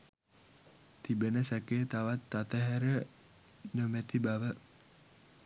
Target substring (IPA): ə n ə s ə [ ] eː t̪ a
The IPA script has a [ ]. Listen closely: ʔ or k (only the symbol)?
k